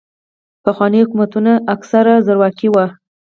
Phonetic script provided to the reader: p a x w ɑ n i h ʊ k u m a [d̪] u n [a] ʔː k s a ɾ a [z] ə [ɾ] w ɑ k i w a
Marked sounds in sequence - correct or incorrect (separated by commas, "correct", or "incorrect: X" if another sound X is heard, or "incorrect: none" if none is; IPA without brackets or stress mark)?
incorrect: t̪, correct, correct, correct